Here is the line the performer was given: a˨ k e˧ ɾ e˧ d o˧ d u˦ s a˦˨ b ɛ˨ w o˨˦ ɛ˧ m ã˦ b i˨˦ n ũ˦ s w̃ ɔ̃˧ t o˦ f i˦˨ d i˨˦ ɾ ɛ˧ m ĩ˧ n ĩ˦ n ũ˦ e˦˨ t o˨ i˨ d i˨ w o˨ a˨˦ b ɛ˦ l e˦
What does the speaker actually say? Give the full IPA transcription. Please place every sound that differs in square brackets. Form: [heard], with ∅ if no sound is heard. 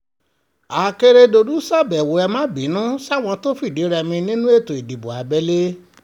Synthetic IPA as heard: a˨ k e˧ ɾ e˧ d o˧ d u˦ s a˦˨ b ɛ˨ w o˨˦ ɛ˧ m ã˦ b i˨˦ n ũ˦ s w̃ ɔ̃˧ t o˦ f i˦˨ d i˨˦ ɾ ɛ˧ m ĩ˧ n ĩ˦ n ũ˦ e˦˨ t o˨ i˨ d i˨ [b] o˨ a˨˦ b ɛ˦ l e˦